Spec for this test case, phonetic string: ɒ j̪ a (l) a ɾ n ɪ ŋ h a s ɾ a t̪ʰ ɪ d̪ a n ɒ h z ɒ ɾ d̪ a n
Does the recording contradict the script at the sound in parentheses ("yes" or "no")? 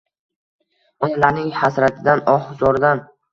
no